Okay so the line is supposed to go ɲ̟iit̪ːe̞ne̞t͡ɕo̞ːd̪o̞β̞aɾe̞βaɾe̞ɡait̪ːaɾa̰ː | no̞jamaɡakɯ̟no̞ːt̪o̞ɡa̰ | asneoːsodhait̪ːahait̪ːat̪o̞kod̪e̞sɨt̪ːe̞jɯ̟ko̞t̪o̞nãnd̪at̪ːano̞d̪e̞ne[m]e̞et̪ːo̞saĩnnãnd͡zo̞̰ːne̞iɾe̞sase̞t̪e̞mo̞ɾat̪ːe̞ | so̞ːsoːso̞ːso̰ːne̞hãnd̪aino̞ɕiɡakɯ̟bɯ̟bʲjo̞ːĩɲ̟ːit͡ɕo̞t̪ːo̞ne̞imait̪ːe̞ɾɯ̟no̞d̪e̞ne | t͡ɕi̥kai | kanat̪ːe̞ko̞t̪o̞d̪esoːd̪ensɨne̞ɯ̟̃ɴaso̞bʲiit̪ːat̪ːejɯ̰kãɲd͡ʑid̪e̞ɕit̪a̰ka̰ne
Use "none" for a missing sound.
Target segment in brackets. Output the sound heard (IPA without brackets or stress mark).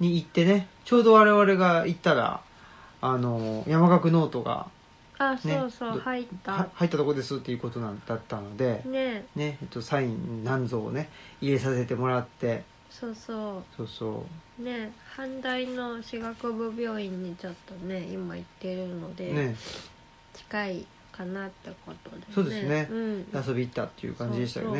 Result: n